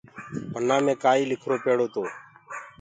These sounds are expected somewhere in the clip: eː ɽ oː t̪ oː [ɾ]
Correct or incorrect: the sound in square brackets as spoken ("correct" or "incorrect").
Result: incorrect